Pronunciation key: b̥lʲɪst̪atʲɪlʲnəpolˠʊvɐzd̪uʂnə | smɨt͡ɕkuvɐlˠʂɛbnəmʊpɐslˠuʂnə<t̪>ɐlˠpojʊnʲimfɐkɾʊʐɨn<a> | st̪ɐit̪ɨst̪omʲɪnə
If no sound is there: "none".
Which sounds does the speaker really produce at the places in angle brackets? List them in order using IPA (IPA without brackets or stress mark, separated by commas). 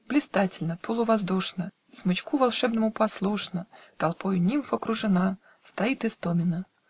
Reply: t̪, a